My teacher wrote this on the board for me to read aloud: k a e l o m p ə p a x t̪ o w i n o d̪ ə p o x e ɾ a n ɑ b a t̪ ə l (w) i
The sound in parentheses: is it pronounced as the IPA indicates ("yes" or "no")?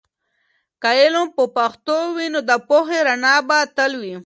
yes